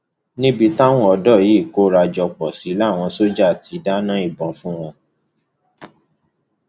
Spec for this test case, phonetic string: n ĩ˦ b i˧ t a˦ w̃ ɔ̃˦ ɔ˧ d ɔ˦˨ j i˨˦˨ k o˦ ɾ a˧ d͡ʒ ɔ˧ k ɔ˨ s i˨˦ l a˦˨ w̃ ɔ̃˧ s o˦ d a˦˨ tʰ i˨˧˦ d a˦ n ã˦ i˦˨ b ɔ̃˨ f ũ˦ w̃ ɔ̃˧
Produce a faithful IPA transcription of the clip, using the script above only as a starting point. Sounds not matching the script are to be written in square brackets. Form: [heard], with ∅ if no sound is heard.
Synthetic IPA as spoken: n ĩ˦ b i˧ t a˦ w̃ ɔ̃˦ ɔ˧ d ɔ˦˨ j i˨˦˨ k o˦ ɾ a˧ d͡ʒ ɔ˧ [k͡p] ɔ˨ s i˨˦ l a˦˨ w̃ ɔ̃˧ s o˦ [d͡ʒ] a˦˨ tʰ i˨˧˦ d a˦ n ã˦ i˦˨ b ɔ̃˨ f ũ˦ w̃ ɔ̃˧